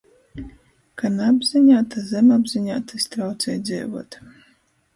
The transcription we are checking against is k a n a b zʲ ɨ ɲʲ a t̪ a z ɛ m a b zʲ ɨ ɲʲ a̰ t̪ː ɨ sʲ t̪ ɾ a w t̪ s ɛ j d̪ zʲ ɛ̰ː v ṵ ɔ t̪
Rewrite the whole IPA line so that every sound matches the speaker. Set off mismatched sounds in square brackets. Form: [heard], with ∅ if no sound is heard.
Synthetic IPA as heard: k a n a b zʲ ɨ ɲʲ a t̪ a z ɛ m a b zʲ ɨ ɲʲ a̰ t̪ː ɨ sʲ t̪ ɾ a w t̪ s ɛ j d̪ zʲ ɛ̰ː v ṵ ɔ t̪